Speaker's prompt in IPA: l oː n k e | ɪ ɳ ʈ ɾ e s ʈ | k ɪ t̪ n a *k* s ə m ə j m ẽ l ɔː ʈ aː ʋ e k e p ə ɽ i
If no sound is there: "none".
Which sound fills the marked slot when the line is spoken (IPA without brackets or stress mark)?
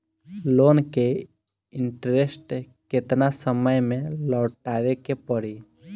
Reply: none